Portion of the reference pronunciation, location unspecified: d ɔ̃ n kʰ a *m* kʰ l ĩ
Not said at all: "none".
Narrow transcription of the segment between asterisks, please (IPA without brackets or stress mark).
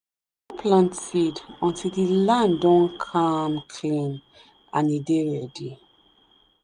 m